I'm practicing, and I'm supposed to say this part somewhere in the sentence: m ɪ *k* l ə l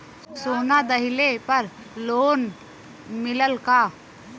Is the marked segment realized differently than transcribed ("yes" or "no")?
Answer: yes